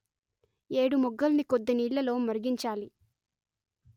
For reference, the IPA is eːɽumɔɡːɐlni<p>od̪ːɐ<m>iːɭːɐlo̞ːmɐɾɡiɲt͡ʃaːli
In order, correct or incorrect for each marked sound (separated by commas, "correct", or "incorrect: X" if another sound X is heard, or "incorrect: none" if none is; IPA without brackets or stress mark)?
incorrect: k, incorrect: n